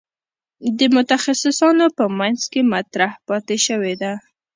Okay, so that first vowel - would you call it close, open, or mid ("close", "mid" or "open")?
mid